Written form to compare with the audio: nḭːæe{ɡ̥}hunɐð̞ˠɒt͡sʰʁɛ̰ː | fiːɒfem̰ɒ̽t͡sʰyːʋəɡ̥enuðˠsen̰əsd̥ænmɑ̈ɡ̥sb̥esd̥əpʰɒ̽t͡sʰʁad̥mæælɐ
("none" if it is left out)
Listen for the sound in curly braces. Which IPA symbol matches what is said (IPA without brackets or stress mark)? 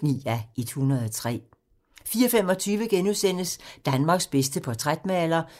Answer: d̥